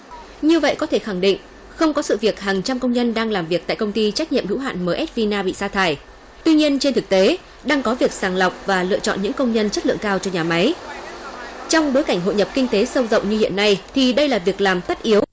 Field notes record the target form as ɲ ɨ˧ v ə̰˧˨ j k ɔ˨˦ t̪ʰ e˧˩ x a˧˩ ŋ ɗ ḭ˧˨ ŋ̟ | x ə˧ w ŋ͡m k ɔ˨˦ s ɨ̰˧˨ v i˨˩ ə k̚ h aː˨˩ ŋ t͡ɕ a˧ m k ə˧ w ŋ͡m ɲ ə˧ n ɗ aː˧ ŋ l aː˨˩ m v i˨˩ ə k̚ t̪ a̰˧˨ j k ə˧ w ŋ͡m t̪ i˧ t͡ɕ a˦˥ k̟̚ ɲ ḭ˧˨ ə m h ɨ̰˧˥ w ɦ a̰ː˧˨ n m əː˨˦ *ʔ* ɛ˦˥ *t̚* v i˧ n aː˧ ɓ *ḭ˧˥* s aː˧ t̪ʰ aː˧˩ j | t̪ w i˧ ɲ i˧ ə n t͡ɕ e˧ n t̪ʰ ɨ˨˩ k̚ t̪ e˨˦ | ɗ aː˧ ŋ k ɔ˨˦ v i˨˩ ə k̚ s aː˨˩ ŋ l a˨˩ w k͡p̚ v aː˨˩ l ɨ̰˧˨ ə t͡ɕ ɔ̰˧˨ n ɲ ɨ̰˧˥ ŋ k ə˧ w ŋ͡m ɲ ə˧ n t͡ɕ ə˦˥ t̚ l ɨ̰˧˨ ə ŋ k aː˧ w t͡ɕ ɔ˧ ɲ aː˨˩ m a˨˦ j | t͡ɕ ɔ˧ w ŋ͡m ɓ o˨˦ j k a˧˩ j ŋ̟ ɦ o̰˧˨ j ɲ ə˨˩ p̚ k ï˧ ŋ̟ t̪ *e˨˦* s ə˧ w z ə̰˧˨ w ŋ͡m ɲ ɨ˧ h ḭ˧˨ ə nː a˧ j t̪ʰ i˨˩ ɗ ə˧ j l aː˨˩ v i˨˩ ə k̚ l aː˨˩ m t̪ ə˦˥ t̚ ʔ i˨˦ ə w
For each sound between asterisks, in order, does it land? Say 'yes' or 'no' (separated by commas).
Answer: yes, yes, no, yes